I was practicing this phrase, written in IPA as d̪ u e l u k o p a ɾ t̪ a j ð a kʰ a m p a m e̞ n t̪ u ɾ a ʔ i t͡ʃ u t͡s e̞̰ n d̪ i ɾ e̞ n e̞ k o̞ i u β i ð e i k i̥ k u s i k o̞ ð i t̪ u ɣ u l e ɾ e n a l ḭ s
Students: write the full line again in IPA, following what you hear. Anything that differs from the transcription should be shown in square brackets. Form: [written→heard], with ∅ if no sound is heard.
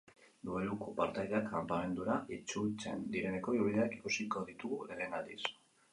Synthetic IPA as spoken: d̪ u e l u k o p a ɾ t̪ a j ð a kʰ a m p a m e̞ n [t̪→d̪] u ɾ a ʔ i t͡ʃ u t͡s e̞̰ n d̪ i ɾ e̞ n e̞ k o̞ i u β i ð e [i→a] k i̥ k u s i k o̞ ð i t̪ u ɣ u l e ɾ e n a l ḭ s